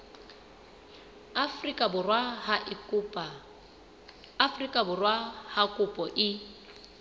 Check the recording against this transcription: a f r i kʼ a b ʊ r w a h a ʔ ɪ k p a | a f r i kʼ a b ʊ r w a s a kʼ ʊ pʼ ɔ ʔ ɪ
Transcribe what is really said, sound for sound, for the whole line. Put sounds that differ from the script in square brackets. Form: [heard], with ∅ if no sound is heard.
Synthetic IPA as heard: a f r i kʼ a b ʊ r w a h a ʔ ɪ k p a | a f r i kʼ a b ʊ r w a [h] a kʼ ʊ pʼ ɔ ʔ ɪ